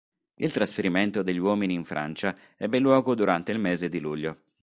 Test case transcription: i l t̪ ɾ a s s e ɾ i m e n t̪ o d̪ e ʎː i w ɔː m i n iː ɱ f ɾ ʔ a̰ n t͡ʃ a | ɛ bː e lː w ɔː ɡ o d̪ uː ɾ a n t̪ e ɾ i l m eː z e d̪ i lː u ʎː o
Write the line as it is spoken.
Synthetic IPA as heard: i l t̪ ɾ a s f e ɾ i m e n t̪ o d̪ e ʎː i w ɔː m i n iː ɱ f ɾ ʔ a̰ n t͡ʃ a | ɛ bː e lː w ɔː ɡ o d̪ u ɾ a n t̪ e i l m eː z e d̪ i l u ʎː o